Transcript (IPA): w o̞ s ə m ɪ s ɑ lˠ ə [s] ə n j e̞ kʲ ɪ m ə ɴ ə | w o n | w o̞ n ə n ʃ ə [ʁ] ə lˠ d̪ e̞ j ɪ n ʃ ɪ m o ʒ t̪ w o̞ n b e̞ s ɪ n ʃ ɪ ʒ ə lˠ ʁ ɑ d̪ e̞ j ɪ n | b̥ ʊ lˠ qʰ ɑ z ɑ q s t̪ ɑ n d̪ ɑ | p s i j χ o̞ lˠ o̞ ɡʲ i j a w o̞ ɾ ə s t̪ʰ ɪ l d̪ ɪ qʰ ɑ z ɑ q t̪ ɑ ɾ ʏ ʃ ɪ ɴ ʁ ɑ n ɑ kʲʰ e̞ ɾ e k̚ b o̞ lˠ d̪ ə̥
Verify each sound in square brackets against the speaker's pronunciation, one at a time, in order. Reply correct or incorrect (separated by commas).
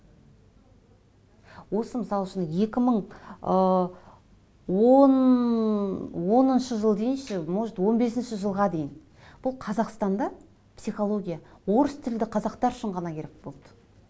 incorrect, incorrect